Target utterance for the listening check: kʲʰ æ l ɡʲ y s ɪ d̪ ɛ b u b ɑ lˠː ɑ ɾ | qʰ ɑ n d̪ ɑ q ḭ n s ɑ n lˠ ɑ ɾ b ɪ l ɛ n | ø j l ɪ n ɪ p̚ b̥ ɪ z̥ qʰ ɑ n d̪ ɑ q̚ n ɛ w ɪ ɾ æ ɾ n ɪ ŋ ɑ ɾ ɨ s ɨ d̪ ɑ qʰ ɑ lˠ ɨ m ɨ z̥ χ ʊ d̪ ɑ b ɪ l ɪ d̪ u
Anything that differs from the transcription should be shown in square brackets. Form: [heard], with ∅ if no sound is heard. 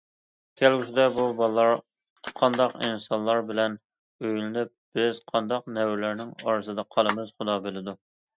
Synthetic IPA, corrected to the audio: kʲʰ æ l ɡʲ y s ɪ d̪ ɛ b u b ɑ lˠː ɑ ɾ | qʰ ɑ n d̪ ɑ q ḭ n s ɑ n lˠ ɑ ɾ b ɪ l ɛ n | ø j l ɪ n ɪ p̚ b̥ ɪ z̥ qʰ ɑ n d̪ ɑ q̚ n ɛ w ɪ [l] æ ɾ n ɪ ŋ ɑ ɾ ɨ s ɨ d̪ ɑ qʰ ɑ lˠ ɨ m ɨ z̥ χ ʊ d̪ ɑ b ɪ l ɪ d̪ u